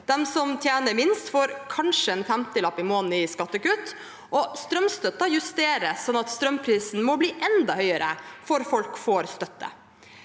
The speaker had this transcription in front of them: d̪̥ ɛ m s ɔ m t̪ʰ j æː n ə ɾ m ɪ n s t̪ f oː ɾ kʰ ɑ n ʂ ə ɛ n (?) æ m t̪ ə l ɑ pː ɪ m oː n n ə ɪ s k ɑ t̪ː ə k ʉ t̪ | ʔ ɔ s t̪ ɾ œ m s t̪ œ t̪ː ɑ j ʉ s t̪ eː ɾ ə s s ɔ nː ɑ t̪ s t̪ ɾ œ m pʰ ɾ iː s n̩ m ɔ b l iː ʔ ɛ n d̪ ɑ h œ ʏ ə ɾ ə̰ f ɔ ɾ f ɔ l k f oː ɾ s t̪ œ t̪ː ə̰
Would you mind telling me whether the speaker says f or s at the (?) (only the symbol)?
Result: f